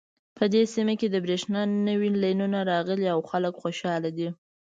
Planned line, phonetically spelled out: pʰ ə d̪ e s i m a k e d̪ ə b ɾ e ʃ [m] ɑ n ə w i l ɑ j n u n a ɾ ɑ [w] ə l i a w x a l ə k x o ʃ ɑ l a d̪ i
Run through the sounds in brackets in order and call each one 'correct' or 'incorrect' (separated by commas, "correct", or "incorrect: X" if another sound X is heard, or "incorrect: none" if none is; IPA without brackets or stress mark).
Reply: incorrect: n, incorrect: ɣ